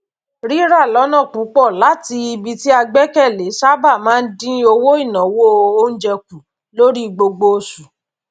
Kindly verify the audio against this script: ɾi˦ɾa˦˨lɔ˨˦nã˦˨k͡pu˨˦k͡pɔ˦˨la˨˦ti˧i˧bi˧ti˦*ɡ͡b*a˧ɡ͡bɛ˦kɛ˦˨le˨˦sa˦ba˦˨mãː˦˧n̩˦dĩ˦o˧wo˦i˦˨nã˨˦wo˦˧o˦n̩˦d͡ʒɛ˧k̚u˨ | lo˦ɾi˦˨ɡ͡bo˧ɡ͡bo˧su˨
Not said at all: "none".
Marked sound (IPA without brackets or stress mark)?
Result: none